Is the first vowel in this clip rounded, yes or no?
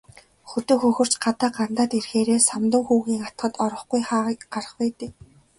yes